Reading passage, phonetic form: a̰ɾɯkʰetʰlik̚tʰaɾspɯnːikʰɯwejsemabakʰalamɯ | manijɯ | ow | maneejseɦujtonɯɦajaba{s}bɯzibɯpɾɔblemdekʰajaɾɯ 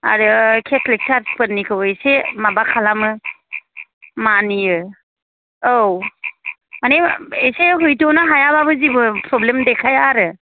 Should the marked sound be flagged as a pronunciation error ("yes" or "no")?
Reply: yes